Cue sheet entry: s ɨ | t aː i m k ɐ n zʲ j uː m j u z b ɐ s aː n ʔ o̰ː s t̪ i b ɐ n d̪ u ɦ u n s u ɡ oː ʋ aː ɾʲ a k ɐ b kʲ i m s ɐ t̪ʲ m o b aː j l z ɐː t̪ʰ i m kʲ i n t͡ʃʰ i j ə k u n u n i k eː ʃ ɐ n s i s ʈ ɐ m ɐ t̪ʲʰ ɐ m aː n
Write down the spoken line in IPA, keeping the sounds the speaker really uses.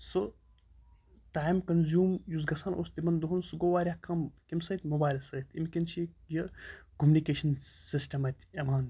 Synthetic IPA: s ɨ | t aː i m k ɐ n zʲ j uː m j u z ɡ ɐ s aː n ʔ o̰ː s t̪ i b ɐ n d̪ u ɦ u n s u ɡ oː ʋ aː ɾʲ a k ɐ m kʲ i m s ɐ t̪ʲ m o b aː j l s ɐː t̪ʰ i m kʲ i n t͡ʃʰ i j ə k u m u n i k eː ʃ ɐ n s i s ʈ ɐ m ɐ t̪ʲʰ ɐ m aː n